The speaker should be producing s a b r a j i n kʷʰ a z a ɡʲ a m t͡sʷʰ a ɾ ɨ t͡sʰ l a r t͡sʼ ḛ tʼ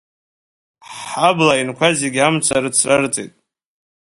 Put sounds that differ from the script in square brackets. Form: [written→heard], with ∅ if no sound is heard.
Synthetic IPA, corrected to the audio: [s→ħ] a b [r→l] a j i n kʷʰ a z [a→e] ɡʲ a m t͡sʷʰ a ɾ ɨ t͡sʰ [l→r] a r t͡sʼ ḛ tʼ